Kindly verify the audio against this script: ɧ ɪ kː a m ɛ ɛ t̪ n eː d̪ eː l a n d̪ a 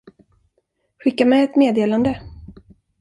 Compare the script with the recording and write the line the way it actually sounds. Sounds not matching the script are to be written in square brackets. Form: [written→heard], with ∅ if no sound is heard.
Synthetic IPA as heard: ɧ ɪ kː a m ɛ ɛ t̪ [n→m] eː d̪ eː l a n d̪ [a→ə]